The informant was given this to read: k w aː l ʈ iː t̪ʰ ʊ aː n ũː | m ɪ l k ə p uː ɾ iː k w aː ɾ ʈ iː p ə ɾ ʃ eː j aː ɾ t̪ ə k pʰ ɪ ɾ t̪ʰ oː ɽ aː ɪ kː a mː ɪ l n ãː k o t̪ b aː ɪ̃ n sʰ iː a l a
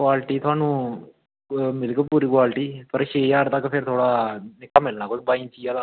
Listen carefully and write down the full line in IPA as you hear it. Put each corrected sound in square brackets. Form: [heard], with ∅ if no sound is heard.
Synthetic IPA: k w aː l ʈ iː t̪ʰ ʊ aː n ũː | m ɪ l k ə p uː ɾ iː k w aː [l] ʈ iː p ə ɾ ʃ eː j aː ɾ t̪ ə k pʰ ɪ ɾ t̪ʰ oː ɽ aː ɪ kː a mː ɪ l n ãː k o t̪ b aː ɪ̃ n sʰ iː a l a